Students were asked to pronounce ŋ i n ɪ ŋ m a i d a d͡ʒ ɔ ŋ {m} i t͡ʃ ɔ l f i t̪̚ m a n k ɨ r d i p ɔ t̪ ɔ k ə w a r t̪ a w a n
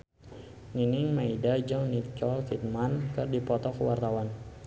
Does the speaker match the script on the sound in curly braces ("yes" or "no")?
no